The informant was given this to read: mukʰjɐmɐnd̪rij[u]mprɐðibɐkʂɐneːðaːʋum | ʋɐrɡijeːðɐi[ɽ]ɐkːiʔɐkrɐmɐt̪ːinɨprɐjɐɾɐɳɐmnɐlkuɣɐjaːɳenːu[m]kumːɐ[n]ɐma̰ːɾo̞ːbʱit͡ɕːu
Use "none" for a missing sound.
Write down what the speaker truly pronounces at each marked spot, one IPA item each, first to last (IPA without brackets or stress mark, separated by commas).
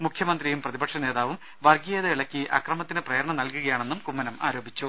u, ɭ, m, n